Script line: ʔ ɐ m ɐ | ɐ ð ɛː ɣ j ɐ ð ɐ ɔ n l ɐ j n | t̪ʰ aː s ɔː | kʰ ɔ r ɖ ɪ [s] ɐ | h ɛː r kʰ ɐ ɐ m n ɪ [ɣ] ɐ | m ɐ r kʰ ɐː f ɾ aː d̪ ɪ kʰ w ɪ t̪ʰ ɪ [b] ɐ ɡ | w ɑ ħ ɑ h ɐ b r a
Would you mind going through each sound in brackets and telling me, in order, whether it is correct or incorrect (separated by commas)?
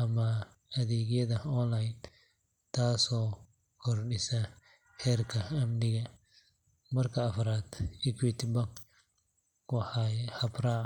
correct, correct, correct